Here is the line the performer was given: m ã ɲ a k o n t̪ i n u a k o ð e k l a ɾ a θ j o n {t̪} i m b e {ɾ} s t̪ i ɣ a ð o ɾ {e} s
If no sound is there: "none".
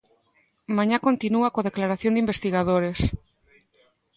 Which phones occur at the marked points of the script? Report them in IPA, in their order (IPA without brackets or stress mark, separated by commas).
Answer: d̪, none, e